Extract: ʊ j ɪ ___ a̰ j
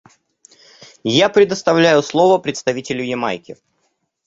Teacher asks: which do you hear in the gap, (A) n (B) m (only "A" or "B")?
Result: B